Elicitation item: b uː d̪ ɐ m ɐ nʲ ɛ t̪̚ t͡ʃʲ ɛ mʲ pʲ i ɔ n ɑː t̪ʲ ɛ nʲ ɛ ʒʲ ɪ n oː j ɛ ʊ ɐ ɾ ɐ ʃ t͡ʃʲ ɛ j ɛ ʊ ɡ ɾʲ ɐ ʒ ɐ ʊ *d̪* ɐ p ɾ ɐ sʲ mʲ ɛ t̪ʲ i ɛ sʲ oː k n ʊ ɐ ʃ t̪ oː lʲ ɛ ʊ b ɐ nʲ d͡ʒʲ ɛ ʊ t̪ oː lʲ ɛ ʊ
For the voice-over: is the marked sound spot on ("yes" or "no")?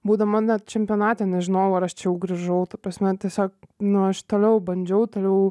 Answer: no